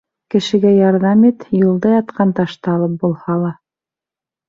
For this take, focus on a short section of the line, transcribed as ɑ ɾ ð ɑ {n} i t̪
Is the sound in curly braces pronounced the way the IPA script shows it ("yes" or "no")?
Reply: no